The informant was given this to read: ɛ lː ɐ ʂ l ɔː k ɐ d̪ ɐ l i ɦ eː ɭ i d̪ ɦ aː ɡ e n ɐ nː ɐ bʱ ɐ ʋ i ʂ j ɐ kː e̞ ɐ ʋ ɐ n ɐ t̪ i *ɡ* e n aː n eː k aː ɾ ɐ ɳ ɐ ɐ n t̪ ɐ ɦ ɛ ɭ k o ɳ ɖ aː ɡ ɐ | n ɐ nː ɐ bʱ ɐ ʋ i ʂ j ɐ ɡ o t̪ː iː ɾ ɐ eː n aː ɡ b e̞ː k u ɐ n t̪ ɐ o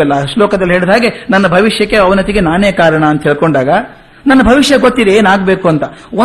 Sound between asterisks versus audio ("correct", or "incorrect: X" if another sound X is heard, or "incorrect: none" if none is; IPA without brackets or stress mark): correct